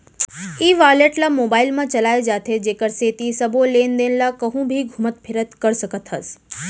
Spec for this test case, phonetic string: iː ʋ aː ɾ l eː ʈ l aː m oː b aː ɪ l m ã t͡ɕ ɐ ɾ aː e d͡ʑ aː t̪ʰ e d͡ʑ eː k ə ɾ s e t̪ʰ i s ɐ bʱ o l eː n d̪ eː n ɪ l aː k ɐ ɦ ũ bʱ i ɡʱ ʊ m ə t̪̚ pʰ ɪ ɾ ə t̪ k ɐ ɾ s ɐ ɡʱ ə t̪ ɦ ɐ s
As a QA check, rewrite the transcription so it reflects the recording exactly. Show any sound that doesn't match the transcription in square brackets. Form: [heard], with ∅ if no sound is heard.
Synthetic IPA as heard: iː ʋ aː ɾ l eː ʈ l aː m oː b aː ɪ l m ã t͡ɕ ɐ [l] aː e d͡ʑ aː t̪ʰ e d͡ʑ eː k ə ɾ s e [t̪] i s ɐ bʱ o l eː n d̪ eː n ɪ l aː k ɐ ɦ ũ bʱ i ɡʱ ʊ m ə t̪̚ pʰ ɪ ɾ ə t̪ k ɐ ɾ s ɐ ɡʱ ə t̪ ɦ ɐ s